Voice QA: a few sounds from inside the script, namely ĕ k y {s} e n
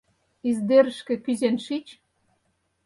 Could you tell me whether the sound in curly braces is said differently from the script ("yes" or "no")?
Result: yes